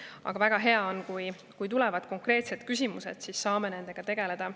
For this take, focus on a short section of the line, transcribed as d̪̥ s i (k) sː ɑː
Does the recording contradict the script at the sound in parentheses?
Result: yes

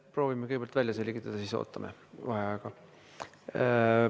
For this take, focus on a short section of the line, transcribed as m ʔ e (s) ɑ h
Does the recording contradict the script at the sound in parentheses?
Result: yes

